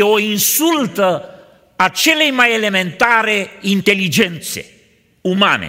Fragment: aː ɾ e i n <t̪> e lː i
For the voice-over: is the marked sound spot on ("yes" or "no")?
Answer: yes